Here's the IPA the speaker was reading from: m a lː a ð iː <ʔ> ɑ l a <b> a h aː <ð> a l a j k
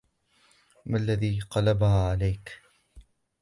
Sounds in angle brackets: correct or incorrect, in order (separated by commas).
incorrect, correct, incorrect